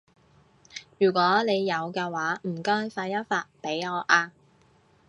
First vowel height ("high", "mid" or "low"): high